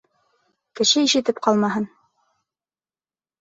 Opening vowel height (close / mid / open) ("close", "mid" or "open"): mid